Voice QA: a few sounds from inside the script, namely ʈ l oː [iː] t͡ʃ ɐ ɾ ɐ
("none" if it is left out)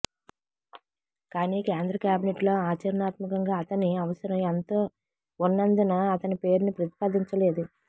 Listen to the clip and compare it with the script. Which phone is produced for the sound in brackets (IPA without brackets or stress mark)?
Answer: aː